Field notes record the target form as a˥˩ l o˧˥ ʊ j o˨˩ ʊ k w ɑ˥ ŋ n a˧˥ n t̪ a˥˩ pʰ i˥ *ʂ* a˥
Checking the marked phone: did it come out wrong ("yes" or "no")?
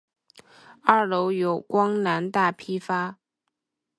yes